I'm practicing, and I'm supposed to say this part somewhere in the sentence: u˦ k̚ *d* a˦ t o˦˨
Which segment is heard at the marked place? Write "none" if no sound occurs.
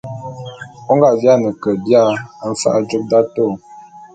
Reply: d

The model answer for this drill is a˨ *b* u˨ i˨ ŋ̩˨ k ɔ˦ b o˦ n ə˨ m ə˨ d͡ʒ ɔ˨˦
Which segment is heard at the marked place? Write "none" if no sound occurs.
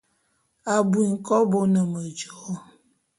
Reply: b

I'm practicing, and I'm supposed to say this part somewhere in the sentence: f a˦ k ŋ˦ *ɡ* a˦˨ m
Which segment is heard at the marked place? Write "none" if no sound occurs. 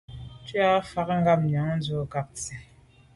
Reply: ɡ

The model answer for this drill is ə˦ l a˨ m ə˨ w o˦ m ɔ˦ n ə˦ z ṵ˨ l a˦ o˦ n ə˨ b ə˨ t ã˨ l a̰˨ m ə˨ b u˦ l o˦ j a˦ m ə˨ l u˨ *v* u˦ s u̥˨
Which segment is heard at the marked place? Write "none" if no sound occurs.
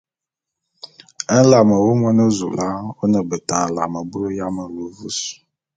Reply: v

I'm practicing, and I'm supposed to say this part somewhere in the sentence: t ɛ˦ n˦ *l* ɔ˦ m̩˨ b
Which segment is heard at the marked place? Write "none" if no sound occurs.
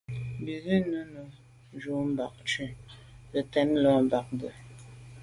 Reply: l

